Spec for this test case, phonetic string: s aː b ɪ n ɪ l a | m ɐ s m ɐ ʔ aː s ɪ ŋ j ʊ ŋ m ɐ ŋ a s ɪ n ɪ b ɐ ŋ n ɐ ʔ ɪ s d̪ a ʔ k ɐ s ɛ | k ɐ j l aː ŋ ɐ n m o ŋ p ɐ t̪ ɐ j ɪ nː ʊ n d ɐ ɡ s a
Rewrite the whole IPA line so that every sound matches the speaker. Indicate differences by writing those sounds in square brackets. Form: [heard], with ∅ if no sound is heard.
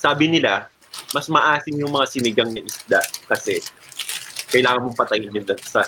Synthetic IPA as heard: s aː b ɪ n ɪ l a | m ɐ s m ɐ ʔ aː s ɪ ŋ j ʊ ŋ m ɐ ŋ a s ɪ n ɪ [ɡ] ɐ ŋ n ɐ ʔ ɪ s d̪ a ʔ k ɐ s ɛ | k ɐ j l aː ŋ ɐ n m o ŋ p ɐ t̪ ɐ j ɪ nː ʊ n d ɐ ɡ s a